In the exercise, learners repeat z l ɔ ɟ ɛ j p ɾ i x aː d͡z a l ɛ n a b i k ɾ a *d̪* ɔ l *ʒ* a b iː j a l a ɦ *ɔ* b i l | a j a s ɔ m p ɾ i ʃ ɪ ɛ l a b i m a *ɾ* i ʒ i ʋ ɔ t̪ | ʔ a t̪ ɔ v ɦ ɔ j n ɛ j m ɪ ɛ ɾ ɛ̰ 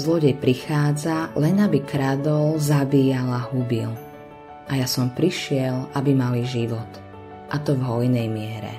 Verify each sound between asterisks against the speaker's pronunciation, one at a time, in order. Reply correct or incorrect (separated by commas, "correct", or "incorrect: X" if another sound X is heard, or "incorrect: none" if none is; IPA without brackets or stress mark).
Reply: correct, incorrect: z, incorrect: u, incorrect: l